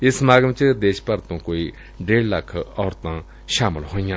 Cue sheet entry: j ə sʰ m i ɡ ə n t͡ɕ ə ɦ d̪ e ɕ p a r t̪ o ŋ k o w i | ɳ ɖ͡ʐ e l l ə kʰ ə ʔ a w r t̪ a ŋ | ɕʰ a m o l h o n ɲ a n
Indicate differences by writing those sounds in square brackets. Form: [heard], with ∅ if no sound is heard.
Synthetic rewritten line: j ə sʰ m [a] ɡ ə [m] t͡ɕ ə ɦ d̪ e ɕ p a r t̪ o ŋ k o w i | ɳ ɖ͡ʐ e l l [a] kʰ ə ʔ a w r t̪ a ŋ | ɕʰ a m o l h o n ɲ a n